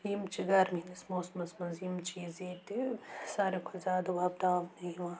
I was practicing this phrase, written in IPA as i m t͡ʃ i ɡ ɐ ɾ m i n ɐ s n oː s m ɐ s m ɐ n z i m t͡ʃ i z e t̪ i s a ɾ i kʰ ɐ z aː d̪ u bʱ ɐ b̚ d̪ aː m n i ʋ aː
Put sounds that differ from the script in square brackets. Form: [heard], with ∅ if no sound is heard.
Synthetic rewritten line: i m t͡ʃ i ɡ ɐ ɾ m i n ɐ s [m] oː s m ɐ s m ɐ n z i m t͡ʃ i z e t̪ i s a ɾ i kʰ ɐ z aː d̪ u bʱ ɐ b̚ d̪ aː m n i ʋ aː